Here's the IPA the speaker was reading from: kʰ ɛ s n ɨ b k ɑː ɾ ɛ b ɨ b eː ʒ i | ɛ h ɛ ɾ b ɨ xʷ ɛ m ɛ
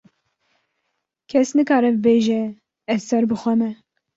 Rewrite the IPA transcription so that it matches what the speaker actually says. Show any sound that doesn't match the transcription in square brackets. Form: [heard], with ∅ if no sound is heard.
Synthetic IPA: kʰ ɛ s n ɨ [∅] k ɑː ɾ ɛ b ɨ b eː ʒ [ɛ] | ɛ [s] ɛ ɾ b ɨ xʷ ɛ m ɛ